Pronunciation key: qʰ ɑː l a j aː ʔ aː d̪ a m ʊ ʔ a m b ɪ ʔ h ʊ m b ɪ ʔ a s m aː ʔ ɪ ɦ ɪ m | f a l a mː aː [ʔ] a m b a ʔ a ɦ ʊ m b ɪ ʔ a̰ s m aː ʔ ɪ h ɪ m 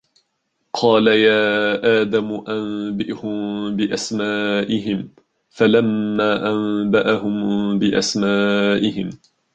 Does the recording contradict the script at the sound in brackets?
no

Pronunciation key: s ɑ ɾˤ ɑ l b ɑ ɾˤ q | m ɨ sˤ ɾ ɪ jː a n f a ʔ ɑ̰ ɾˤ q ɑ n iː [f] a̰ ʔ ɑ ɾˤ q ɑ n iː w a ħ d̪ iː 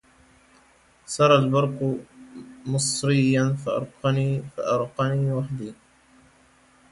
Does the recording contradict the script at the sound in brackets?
no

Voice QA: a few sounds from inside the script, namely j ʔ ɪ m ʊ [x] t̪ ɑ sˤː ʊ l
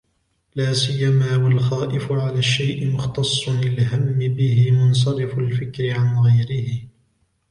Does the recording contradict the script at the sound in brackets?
no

